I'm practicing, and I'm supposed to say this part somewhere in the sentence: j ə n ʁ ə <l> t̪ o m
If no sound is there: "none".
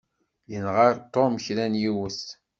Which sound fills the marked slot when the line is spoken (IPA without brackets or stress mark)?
ɾ